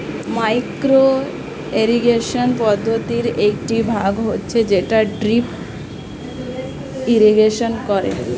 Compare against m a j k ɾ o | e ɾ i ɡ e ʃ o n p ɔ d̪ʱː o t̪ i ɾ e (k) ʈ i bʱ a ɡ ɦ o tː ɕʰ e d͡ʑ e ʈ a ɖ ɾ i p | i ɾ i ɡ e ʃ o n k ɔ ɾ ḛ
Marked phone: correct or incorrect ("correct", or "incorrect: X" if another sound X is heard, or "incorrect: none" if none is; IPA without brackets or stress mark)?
correct